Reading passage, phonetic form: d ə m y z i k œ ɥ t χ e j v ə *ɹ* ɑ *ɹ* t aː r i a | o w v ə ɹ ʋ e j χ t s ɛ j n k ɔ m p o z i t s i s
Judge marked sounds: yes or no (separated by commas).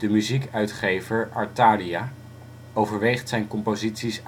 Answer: yes, yes